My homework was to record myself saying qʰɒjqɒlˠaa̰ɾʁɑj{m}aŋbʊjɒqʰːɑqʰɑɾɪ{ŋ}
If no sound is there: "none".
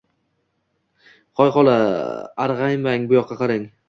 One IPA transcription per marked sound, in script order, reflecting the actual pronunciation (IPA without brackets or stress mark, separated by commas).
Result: m, ŋ